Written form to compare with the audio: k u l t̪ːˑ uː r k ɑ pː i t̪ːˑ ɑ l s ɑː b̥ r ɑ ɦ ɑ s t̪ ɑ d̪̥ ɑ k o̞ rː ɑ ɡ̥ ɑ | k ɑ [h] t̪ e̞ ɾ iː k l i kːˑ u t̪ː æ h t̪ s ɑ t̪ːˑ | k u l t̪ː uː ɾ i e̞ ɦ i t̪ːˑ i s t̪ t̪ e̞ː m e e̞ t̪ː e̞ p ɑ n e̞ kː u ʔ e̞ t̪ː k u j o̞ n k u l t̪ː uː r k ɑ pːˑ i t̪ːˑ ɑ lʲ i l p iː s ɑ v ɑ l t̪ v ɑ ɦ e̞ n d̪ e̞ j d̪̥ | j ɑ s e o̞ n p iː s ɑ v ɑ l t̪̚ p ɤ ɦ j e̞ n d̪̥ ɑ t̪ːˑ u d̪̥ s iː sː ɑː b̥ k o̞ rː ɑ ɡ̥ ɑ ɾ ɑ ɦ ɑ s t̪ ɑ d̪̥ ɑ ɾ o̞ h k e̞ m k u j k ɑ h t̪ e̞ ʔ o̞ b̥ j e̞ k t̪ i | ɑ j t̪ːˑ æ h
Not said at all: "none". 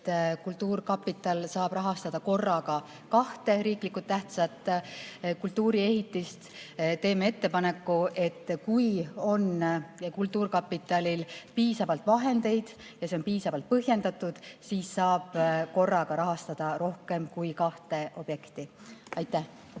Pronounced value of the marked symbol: h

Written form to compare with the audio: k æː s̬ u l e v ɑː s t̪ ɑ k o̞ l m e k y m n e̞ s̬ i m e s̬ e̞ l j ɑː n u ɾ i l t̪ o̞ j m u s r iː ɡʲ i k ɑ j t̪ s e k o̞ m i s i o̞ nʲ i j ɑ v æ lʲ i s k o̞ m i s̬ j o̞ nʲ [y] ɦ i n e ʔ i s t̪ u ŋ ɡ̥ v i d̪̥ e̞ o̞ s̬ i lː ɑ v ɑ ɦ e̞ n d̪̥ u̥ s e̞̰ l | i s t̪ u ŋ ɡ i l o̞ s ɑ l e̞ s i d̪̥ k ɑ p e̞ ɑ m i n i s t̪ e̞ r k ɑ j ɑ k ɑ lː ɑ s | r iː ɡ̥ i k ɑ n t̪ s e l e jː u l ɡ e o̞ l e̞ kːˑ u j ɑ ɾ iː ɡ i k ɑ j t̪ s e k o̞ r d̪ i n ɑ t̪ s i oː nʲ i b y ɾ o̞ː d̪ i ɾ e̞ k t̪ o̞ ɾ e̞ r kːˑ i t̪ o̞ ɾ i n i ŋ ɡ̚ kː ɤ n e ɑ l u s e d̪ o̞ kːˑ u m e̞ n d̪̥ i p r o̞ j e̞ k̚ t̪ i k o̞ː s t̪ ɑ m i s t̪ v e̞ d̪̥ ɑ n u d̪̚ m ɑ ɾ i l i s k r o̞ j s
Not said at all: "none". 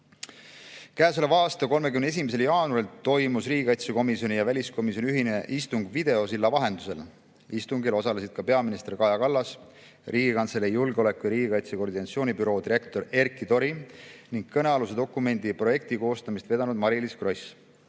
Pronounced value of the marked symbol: y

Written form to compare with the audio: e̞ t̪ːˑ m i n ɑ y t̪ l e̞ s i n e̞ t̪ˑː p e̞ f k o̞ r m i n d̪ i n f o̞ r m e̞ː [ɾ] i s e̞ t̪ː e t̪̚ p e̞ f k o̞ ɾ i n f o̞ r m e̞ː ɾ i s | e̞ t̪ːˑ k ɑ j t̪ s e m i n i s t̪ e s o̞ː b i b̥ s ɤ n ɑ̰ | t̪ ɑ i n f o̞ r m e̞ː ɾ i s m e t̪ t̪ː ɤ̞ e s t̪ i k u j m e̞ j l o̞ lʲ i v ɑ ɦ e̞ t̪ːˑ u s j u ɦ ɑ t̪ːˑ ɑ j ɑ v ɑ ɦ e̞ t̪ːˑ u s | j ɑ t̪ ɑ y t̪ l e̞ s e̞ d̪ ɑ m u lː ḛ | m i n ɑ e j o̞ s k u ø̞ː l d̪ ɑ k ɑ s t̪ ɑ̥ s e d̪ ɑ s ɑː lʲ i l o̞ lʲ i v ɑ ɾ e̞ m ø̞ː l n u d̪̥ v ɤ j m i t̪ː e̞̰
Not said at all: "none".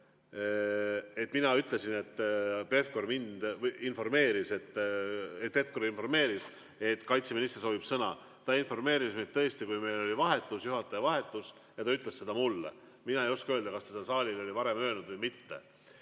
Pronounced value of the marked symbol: ɾ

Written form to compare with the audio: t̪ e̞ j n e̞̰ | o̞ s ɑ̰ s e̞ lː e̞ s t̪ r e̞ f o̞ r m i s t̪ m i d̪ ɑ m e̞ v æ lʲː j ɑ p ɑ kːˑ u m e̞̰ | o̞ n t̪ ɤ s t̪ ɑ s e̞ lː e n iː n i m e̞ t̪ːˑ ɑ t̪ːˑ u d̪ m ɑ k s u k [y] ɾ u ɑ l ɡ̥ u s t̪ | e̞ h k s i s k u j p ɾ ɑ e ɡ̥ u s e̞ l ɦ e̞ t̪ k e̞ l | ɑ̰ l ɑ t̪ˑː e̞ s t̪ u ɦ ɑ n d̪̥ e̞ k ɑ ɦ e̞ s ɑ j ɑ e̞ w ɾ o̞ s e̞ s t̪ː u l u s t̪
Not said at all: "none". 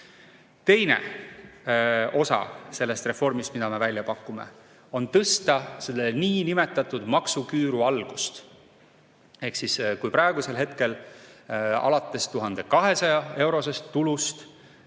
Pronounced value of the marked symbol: yː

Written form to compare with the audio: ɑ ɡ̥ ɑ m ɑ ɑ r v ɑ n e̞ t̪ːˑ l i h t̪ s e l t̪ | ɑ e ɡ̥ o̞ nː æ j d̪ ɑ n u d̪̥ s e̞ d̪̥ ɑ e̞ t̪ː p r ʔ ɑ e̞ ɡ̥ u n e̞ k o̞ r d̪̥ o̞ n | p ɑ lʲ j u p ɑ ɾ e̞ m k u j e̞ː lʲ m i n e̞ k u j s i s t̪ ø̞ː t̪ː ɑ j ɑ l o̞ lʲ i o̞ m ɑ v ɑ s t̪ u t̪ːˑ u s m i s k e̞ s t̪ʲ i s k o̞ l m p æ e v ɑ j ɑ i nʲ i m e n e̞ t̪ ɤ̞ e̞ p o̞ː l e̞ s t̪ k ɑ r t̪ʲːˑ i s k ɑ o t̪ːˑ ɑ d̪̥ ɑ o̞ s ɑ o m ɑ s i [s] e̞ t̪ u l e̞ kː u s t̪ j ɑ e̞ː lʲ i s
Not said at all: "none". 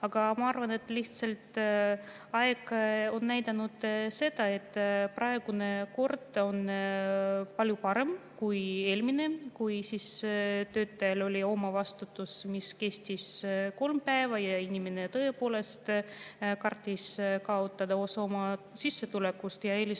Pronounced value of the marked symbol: sː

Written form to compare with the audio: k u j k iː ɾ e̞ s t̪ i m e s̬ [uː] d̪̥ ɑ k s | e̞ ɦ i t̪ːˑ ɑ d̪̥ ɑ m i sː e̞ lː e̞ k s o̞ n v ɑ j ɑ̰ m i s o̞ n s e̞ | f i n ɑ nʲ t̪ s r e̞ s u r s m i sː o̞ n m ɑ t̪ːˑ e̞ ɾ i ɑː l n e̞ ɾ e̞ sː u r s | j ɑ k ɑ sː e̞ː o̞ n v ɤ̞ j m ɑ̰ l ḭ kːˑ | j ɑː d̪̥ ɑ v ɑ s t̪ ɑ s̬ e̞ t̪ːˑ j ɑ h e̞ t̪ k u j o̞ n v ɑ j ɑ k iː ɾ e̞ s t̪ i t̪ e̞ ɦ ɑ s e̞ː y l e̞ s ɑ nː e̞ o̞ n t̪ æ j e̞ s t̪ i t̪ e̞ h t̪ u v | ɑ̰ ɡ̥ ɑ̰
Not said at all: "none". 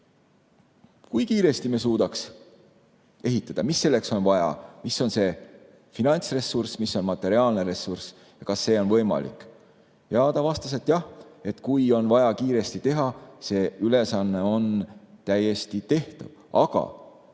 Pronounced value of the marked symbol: uː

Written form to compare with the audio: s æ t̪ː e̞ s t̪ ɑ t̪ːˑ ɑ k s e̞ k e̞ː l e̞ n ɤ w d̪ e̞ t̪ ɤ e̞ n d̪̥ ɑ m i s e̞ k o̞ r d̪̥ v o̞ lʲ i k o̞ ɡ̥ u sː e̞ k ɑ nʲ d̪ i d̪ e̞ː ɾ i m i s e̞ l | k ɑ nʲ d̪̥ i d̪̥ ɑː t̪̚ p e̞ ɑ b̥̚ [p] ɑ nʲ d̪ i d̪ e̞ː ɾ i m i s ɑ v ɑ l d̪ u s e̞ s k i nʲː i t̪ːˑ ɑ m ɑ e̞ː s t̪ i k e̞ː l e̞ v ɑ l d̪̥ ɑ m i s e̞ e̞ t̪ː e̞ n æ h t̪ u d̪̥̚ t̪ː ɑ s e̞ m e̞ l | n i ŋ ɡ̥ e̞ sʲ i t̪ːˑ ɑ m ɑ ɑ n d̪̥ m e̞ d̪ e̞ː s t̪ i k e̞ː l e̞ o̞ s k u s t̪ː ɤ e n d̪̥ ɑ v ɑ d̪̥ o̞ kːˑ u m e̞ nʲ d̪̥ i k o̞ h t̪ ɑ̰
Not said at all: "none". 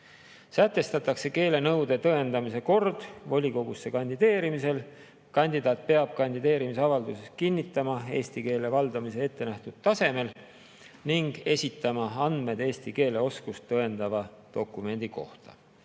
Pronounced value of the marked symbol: k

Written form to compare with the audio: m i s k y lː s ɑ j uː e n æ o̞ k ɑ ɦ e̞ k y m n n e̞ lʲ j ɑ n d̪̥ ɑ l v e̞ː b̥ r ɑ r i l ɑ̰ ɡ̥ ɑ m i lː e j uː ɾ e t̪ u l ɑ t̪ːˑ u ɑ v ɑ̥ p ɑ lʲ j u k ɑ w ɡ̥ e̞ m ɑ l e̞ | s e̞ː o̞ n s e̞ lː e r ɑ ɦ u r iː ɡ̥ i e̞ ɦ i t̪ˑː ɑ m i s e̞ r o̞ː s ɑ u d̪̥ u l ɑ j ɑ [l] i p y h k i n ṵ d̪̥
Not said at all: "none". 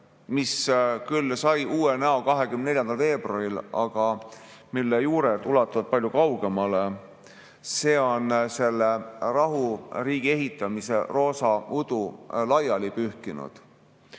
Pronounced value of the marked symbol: l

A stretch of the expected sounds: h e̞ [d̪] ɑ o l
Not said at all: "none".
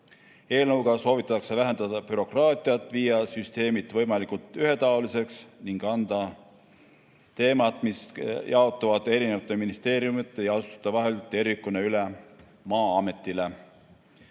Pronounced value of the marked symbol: t̪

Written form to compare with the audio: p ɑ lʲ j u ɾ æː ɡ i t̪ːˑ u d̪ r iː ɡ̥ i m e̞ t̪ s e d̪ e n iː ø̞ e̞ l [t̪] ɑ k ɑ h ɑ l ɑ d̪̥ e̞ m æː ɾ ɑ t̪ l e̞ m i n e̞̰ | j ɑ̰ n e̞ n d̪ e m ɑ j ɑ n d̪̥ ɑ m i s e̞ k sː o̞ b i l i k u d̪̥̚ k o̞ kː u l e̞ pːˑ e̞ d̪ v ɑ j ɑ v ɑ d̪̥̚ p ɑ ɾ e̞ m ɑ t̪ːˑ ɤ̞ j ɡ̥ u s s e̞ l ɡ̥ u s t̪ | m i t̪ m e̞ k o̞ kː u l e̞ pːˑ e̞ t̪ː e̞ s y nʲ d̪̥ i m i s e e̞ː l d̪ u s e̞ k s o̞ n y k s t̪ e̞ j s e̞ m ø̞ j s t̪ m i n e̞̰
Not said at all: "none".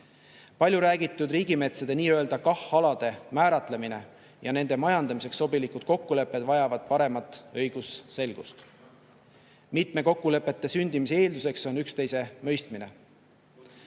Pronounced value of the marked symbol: d̪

